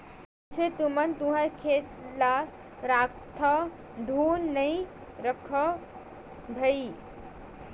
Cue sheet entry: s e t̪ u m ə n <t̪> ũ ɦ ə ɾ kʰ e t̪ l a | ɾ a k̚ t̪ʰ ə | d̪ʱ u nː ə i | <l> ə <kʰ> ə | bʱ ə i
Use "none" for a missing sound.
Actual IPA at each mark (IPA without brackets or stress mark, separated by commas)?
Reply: t̪, ɾ, kʰ